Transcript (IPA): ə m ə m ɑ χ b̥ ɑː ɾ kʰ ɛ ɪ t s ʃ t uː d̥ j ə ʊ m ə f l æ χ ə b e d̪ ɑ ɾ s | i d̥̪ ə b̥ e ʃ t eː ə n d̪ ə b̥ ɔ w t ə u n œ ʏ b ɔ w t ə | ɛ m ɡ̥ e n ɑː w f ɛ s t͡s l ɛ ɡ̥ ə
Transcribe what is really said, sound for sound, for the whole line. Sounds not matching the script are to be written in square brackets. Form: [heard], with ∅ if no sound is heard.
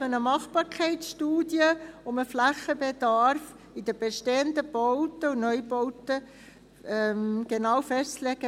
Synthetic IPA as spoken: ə [n] ə m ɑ χ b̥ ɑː ɾ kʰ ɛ ɪ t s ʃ t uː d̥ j ə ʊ m ə f l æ χ ə b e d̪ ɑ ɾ [f] | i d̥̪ ə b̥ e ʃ t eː ə n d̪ ə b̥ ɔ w t ə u n œ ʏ b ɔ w t ə | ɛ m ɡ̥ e n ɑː w f ɛ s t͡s l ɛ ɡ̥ ə